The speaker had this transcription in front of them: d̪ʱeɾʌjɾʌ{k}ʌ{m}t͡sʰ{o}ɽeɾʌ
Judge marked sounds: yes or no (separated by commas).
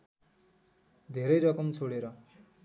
yes, yes, yes